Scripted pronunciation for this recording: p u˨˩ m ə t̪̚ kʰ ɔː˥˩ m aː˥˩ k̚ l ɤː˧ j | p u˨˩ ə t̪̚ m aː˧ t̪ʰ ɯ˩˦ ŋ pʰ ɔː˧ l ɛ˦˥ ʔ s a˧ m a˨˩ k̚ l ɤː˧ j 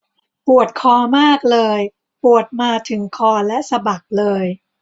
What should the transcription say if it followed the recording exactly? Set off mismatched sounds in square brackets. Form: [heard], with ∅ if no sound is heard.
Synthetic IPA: p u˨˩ [∅] ə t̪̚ kʰ [ɔː˧] m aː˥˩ k̚ l ɤː˧ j | p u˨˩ ə t̪̚ m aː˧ t̪ʰ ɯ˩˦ ŋ [kʰ] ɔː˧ l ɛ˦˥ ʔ s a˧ [b] a˨˩ k̚ l ɤː˧ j

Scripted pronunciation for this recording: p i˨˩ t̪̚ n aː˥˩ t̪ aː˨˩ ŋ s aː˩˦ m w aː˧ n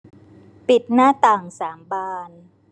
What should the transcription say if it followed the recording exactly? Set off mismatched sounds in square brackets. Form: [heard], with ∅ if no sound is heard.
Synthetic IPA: p i˨˩ t̪̚ n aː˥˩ t̪ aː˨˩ ŋ s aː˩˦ m [b] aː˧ n

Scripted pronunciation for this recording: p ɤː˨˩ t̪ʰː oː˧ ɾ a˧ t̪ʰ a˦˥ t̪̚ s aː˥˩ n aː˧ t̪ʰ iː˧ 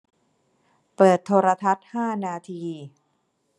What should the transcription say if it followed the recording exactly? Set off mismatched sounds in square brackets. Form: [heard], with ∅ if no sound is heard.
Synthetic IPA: p ɤː˨˩ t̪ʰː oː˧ ɾ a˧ t̪ʰ a˦˥ t̪̚ [h] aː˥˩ n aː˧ t̪ʰ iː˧

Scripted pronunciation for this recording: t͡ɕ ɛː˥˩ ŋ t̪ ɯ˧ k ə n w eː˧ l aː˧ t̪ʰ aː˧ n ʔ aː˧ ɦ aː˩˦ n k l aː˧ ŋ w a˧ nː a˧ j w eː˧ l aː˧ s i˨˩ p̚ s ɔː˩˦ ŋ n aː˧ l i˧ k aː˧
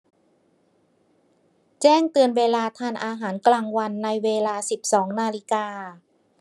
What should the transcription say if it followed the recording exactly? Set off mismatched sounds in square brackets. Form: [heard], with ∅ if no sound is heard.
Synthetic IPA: t͡ɕ ɛː˥˩ ŋ t̪ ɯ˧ [∅] ə n w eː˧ l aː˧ t̪ʰ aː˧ n ʔ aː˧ ɦ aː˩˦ n k l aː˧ ŋ w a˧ nː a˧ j w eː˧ l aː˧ s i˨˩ p̚ s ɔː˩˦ ŋ n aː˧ l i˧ k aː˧

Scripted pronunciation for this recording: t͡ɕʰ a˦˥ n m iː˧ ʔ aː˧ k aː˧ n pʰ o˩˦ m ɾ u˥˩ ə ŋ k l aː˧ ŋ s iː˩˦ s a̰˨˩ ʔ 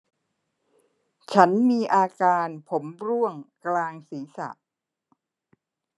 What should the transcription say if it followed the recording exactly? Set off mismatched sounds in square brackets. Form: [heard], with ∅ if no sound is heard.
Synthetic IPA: t͡ɕʰ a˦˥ n m iː˧ ʔ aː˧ k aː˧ n pʰ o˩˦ m ɾ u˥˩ ə ŋ k l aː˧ ŋ s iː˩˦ s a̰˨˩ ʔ

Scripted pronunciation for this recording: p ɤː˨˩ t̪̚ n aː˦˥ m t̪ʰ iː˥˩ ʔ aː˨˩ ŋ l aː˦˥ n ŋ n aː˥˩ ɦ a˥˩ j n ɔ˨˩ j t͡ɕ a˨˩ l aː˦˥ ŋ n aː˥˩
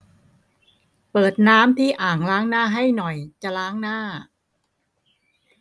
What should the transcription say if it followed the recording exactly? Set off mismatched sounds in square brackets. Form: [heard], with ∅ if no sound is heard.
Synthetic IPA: p ɤː˨˩ t̪̚ n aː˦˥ m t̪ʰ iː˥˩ ʔ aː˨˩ ŋ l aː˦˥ [∅] ŋ n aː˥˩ ɦ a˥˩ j n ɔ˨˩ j t͡ɕ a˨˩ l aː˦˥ ŋ n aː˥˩

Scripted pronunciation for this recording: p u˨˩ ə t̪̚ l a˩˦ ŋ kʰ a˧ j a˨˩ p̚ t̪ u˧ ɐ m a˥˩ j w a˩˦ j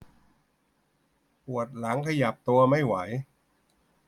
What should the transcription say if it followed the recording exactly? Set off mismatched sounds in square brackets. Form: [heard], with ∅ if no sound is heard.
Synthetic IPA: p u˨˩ ə t̪̚ l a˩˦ ŋ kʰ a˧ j a˨˩ p̚ t̪ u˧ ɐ m a˥˩ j w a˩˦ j

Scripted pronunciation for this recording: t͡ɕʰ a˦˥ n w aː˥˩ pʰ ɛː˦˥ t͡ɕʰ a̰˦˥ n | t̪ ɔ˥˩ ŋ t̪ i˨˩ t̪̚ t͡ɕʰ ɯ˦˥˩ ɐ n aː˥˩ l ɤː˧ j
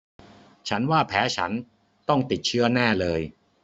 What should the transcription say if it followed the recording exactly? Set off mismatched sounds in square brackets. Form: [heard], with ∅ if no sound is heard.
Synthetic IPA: t͡ɕʰ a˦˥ n w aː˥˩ pʰ ɛː˦˥ t͡ɕʰ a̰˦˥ n | t̪ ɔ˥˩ ŋ t̪ i˨˩ t̪̚ t͡ɕʰ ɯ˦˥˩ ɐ n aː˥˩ l ɤː˧ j

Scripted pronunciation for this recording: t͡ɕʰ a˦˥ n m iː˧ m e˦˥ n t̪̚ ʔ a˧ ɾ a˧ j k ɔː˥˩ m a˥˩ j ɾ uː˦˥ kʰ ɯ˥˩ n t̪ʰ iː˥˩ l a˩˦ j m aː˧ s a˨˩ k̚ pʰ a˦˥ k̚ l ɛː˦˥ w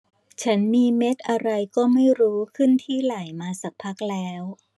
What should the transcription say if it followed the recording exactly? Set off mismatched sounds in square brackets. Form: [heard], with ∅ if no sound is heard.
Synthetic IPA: t͡ɕʰ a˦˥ n m iː˧ m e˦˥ [∅] t̪̚ ʔ a˧ ɾ a˧ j k ɔː˥˩ m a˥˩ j ɾ uː˦˥ kʰ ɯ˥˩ n t̪ʰ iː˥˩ l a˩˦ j m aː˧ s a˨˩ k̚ pʰ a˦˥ k̚ l ɛː˦˥ w

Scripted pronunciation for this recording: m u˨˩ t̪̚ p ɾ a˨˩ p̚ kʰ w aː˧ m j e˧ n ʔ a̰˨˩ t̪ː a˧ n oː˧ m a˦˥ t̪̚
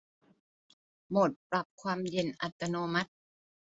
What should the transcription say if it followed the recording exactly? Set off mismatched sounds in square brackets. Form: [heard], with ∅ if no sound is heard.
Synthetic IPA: m [o˨˩] t̪̚ p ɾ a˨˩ p̚ kʰ w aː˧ m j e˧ n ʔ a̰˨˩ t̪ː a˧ n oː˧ m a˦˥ t̪̚

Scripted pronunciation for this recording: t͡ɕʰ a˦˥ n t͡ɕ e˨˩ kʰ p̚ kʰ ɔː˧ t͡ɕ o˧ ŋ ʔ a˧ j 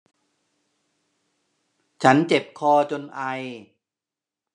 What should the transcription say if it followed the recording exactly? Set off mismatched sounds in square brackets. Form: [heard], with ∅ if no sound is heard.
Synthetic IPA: t͡ɕʰ a˦˥ n t͡ɕ e˨˩ [∅] p̚ kʰ ɔː˧ t͡ɕ o˧ [n] ʔ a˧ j

